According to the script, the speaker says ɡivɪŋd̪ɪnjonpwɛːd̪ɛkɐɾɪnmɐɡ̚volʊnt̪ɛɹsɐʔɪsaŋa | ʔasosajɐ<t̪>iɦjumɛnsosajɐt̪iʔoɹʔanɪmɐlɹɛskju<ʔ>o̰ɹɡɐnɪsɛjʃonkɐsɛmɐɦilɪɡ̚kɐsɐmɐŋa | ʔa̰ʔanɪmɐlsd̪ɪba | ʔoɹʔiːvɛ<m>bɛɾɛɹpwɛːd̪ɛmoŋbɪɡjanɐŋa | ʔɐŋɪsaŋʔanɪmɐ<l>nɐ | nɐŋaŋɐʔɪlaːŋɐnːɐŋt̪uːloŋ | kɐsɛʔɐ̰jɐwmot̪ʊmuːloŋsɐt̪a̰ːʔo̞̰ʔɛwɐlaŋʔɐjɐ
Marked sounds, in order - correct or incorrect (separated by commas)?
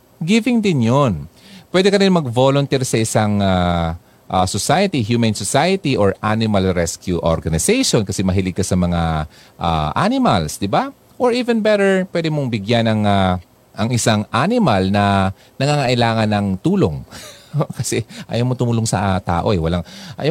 correct, correct, incorrect, correct